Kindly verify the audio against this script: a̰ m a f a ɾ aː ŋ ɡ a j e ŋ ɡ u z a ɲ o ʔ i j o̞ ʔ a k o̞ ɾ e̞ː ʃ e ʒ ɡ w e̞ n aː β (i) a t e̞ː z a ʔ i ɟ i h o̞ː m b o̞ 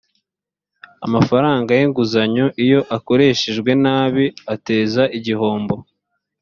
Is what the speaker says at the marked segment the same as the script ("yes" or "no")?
yes